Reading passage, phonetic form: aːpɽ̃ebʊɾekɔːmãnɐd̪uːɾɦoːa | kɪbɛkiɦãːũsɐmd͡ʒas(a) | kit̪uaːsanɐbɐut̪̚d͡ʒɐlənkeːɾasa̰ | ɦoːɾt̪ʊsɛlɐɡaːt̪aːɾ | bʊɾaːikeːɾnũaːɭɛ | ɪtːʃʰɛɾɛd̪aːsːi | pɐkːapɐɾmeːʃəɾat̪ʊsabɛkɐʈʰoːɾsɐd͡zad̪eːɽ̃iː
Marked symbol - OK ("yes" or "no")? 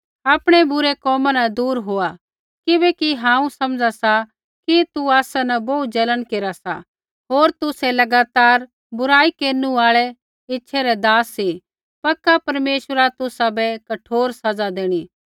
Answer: yes